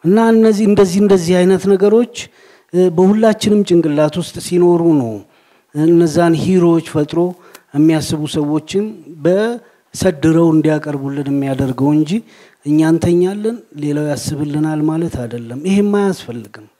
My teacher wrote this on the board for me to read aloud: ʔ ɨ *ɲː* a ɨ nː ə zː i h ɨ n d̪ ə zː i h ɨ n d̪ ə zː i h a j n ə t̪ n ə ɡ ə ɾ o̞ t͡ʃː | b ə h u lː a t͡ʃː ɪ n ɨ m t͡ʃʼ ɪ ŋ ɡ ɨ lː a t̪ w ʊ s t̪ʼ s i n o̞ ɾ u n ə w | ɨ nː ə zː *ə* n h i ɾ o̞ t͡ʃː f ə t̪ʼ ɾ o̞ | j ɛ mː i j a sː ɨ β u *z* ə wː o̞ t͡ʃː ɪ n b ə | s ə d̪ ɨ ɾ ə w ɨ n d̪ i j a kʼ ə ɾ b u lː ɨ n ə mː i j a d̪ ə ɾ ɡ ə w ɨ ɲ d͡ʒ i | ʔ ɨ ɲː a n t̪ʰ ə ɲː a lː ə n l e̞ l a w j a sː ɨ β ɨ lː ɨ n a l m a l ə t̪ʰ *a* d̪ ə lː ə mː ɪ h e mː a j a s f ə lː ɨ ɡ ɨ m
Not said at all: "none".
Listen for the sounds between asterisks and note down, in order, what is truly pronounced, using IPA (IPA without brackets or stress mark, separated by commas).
nː, a, s, a